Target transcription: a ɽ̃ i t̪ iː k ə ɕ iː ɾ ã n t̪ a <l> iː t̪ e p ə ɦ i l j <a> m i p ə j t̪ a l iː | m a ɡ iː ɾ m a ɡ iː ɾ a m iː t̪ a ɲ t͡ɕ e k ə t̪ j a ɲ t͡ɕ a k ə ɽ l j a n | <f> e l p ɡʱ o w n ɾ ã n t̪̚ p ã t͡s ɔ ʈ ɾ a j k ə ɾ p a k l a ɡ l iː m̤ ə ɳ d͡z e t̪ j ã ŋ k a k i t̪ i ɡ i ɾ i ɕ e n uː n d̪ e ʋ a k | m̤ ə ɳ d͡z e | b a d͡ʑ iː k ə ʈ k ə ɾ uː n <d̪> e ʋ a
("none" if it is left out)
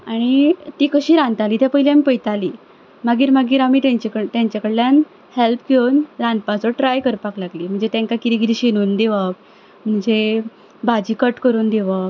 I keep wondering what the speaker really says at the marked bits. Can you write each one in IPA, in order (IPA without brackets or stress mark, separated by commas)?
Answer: l, a, h, d̪